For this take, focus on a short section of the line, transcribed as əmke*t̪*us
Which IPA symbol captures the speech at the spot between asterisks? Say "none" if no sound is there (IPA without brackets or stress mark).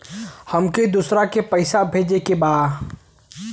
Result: d̪